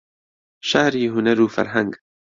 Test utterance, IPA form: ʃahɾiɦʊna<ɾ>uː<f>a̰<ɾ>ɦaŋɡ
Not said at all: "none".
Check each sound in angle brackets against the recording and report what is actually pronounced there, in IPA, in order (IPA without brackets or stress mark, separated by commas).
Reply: ɾ, f, ɾ